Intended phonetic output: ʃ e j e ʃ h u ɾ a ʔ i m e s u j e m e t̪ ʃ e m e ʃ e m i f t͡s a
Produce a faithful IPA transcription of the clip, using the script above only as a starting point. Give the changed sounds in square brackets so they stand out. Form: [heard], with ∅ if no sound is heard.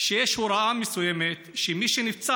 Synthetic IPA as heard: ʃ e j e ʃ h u ɾ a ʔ [a] m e s u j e m e t̪ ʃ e m [i] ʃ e [n] i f t͡s a